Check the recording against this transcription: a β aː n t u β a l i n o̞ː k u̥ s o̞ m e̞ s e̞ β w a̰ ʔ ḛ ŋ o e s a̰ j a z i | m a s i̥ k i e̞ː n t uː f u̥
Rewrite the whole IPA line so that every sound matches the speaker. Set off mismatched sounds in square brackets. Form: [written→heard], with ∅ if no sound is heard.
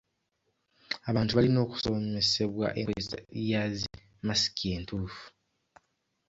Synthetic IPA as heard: a β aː n t u β a l i n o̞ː k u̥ s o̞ m e̞ s e̞ β w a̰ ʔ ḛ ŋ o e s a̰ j a z i | m a s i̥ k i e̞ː n t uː f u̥